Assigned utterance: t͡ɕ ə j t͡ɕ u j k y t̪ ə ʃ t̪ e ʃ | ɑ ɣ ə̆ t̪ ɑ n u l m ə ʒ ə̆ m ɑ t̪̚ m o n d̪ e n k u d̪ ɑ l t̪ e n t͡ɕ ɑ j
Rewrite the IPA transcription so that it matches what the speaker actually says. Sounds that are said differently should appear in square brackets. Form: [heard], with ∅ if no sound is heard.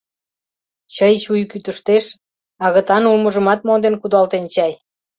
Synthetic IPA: t͡ɕ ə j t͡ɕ u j k y t̪ ə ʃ t̪ e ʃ | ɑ ɣ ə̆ t̪ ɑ n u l m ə ʒ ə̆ m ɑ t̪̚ m o n d̪ e n k u d̪ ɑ l t̪ e n t͡ɕ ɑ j